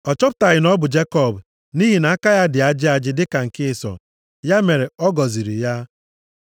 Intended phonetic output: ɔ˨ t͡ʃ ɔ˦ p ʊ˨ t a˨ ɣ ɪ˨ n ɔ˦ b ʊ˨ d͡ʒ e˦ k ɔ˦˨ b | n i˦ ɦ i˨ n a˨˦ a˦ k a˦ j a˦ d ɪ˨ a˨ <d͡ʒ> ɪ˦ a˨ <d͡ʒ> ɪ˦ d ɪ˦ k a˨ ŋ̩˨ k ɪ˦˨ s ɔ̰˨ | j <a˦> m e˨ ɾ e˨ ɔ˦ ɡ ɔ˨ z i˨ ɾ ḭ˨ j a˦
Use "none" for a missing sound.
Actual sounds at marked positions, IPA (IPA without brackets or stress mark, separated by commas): d͡ʒ, d͡ʒ, a˦